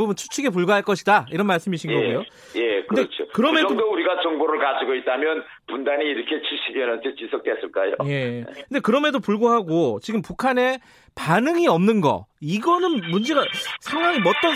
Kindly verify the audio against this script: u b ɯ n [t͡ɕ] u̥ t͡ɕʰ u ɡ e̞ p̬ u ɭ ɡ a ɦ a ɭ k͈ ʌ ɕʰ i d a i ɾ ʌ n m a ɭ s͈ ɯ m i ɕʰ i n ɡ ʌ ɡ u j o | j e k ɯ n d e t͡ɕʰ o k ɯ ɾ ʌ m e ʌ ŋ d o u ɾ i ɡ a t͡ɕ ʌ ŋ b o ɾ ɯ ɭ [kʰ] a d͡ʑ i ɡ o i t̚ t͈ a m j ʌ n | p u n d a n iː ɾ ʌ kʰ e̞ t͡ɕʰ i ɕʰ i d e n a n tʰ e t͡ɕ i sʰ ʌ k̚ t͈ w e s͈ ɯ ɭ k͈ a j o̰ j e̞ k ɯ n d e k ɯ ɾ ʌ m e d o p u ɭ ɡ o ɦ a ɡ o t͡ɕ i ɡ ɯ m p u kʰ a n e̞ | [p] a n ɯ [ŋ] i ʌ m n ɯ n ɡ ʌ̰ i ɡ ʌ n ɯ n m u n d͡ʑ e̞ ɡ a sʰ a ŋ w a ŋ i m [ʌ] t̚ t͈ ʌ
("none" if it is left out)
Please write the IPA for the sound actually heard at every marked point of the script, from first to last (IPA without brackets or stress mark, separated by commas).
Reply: t͡ɕʰ, k, p, ŋ, ʌ